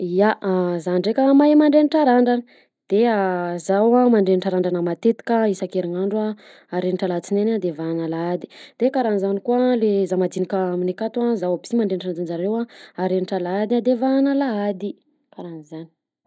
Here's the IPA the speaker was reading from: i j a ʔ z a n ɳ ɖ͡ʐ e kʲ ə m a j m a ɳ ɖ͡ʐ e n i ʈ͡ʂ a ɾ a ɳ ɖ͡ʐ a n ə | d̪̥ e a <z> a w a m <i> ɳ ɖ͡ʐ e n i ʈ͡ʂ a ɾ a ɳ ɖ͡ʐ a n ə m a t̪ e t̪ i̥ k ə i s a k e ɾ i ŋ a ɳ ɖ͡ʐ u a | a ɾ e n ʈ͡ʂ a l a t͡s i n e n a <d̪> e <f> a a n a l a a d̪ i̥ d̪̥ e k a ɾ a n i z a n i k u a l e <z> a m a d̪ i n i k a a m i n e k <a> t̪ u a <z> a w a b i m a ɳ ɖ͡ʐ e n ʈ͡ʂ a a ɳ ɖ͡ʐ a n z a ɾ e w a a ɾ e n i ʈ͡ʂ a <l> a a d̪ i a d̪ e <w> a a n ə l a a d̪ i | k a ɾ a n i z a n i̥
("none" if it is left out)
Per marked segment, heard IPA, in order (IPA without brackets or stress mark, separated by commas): z, a, d̪, v, z, a, z, l, v